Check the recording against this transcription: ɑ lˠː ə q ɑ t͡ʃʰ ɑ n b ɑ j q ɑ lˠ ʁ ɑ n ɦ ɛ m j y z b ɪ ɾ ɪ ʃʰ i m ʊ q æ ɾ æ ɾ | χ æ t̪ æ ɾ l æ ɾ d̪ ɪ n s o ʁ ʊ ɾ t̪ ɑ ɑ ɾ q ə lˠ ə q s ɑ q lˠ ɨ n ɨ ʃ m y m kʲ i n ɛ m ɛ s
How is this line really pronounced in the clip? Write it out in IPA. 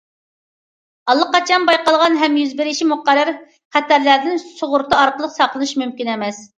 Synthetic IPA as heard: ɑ lˠː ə q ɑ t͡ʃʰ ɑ n b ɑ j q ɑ lˠ ʁ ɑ n ɦ ɛ m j y z b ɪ ɾ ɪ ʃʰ i m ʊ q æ ɾ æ ɾ | χ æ t̪ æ ɾ l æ ɾ d̪ ɪ n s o ʁ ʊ ɾ t̪ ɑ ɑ ɾ q ə lˠ ə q s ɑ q lˠ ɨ n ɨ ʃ m y m kʲ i n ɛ m ɛ s